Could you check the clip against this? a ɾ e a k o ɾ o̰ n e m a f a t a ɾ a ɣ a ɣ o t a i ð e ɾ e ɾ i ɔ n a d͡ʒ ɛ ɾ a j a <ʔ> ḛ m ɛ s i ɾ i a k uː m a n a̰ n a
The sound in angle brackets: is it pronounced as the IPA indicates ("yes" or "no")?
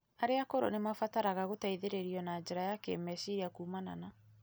no